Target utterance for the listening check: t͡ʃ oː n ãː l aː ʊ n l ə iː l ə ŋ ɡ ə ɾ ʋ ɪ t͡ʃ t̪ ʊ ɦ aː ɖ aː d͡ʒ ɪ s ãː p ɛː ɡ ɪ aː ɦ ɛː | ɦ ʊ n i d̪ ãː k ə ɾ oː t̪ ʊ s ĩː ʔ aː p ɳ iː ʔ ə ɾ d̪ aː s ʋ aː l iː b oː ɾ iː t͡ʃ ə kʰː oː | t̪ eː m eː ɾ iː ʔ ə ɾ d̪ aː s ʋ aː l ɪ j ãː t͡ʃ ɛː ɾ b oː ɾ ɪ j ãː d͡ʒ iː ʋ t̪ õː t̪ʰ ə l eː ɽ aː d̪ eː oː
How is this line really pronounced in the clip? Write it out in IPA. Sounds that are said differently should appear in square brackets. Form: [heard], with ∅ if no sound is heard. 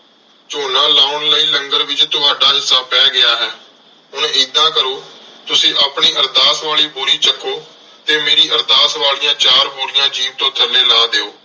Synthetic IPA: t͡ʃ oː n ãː l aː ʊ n l ə iː l ə ŋ ɡ ə ɾ ʋ ɪ t͡ʃ t̪ ʊ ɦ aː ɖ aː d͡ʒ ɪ s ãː p ɛː ɡ ɪ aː ɦ ɛː | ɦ ʊ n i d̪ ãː k ə ɾ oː t̪ ʊ s ĩː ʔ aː p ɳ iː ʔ ə ɾ d̪ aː s ʋ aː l iː b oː ɾ iː t͡ʃ ə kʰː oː | t̪ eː m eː ɾ iː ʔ ə ɾ d̪ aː s ʋ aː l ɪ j ãː t͡ʃ [aː] ɾ b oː ɾ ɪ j ãː d͡ʒ iː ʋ t̪ õː t̪ʰ ə l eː [l] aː d̪ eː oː